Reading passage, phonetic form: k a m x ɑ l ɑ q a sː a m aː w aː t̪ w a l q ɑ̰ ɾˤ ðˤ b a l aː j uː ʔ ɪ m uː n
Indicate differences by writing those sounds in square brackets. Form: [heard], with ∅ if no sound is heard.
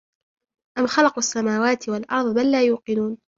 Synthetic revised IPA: [ʔ] a m x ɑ l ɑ q a sː a m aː w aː t̪ w a l [ʔ] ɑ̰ ɾˤ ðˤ b a [lː] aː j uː [q] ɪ [n] uː n